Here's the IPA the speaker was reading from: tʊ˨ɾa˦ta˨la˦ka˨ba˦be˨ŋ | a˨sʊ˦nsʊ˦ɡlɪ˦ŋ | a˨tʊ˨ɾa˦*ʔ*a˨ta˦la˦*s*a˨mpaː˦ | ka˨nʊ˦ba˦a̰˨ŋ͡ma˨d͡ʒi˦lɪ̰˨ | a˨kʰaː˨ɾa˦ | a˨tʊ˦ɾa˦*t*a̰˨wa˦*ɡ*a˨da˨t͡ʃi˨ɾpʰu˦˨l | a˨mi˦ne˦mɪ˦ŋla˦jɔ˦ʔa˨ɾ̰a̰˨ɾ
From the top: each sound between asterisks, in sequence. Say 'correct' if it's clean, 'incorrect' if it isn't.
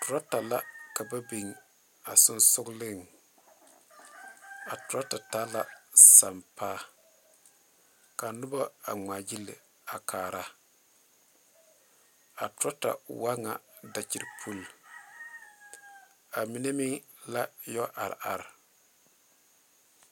incorrect: t, correct, correct, incorrect: ŋ

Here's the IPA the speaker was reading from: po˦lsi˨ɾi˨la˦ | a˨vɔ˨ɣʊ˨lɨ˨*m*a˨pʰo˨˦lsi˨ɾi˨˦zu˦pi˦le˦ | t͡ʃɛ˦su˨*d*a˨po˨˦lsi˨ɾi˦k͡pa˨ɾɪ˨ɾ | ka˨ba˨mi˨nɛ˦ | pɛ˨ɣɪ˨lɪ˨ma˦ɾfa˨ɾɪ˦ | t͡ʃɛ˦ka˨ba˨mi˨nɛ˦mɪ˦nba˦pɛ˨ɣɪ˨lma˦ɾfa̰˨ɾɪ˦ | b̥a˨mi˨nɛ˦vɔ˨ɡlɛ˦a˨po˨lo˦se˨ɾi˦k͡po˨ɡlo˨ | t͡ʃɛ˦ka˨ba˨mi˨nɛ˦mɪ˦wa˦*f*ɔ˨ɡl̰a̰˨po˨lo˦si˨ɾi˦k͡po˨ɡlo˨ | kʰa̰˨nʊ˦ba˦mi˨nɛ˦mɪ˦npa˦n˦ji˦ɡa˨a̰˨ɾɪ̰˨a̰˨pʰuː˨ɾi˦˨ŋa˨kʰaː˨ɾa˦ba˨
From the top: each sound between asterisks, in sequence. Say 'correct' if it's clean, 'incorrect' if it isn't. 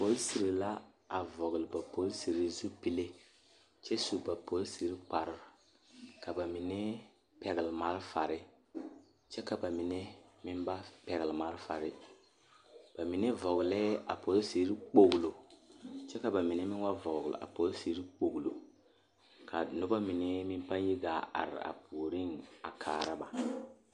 incorrect: b, incorrect: b, incorrect: v

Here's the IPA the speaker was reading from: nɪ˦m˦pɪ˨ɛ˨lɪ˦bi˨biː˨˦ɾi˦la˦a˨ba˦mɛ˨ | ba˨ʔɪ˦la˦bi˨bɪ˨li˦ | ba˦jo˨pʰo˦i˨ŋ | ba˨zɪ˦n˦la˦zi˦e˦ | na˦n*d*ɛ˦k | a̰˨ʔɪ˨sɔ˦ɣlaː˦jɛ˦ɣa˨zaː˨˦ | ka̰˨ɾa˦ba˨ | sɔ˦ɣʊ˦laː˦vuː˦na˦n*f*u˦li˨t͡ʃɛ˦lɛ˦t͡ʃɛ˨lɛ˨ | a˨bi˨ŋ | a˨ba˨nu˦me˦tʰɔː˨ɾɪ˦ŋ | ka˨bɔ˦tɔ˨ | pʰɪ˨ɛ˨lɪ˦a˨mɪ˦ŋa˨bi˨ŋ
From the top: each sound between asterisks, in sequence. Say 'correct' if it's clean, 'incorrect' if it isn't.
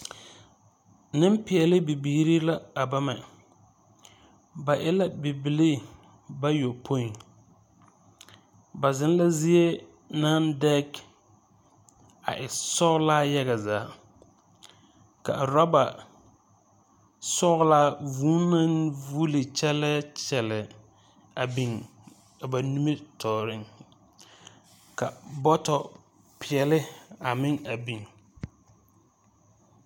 correct, incorrect: v

